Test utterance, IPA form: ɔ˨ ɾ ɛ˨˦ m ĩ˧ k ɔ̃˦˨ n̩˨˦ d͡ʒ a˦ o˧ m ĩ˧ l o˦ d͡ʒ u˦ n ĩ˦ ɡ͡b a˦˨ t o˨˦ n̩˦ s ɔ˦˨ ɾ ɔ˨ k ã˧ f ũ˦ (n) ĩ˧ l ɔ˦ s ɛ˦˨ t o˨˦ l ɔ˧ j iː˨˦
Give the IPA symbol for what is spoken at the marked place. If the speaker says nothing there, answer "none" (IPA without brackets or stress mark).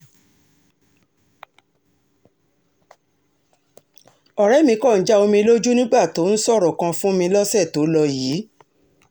m